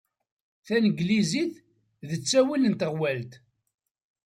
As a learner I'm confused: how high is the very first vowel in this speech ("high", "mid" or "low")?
low